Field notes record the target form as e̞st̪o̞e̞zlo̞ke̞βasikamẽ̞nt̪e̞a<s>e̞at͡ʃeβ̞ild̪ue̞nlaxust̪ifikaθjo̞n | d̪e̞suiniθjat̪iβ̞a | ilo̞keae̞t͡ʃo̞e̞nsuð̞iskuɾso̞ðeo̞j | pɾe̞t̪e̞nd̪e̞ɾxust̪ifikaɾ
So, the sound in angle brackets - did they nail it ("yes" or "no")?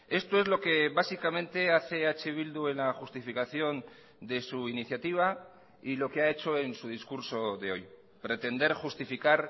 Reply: no